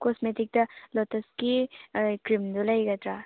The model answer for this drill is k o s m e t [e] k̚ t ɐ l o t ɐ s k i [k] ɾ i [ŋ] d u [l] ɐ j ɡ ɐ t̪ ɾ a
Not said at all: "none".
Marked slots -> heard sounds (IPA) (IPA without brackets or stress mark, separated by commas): i, k, m, l